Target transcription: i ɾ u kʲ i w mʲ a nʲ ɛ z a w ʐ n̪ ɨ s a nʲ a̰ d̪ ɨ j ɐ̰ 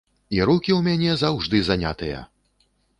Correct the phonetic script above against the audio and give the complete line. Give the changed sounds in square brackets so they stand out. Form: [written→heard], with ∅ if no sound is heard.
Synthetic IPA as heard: i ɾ u kʲ i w mʲ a nʲ ɛ z a w ʐ [n̪→d̪] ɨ [s→z] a nʲ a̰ [d̪→t̪] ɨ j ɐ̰